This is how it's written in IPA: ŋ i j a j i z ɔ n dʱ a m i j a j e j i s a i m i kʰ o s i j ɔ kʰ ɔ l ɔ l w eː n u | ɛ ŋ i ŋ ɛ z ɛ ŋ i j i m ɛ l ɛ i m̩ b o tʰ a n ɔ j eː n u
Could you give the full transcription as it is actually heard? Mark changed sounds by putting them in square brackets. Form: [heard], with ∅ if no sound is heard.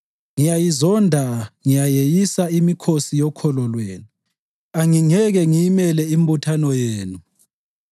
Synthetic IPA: ŋ i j a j i z ɔ n dʱ a [ŋ] i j a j e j i s a i m i kʰ o s i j ɔ kʰ ɔ l ɔ l w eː n u | [a] ŋ i ŋ ɛ [ɣ] ɛ ŋ i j i m ɛ l ɛ i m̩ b [u] tʰ a n ɔ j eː n u